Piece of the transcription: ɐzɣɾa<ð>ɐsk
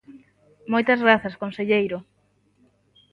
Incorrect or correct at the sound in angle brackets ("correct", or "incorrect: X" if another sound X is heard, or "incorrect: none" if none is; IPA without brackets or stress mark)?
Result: incorrect: θ